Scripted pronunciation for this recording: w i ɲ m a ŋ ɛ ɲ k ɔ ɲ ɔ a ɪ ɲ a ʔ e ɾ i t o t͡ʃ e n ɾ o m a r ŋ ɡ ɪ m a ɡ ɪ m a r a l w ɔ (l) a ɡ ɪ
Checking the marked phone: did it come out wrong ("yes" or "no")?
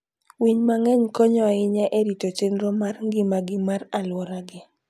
yes